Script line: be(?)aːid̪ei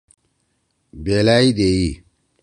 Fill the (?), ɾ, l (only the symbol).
l